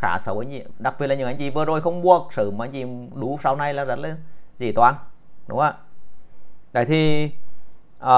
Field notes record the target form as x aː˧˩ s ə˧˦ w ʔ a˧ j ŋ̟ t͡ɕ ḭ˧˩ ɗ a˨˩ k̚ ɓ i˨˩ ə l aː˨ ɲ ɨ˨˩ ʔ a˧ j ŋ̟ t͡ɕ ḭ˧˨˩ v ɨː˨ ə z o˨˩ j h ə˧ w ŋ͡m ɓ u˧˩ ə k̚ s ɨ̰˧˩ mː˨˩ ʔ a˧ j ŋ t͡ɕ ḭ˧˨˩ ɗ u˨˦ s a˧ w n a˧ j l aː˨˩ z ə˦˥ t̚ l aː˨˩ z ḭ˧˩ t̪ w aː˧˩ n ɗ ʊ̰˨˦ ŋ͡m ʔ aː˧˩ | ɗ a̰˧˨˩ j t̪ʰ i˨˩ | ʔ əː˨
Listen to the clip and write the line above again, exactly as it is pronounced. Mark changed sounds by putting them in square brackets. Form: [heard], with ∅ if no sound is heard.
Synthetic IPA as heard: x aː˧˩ s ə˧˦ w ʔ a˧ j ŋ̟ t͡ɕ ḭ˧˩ ɗ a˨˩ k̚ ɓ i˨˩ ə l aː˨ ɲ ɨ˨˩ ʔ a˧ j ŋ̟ t͡ɕ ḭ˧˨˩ v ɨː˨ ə z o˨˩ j [x] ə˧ w ŋ͡m ɓ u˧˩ ə k̚ s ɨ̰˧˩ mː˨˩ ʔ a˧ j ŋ t͡ɕ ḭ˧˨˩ ɗ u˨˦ s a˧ w n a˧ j l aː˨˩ z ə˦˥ t̚ l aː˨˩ z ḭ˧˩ t̪ w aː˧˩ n ɗ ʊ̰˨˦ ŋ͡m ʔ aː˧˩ | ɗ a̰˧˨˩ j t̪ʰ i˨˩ | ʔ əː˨